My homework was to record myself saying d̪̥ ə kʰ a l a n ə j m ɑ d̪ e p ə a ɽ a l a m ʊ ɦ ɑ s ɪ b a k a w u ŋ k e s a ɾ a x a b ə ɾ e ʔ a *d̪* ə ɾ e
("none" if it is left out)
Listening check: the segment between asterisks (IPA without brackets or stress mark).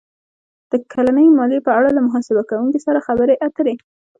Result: t̪